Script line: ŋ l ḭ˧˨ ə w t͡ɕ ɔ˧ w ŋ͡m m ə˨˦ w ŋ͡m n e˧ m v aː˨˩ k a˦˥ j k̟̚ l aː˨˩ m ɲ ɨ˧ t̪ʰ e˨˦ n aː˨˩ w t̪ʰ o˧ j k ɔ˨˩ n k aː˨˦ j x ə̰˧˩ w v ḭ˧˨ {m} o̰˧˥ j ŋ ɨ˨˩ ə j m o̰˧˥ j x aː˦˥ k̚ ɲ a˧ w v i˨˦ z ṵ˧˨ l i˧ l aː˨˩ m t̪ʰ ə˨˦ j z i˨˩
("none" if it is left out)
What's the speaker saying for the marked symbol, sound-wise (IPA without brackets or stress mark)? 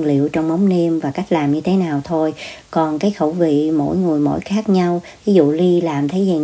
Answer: m